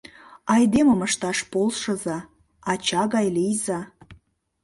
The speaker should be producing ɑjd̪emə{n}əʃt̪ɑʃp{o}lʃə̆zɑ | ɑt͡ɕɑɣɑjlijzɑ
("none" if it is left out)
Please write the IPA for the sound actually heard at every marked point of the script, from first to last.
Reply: m, o

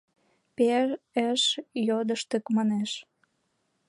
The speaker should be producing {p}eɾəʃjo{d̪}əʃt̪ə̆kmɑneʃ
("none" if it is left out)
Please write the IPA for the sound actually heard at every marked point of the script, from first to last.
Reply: p, d̪

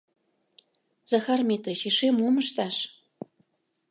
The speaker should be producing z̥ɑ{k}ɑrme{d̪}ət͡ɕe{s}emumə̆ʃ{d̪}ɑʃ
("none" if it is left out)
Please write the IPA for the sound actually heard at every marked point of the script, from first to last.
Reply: x, t̪, ʃ, t̪

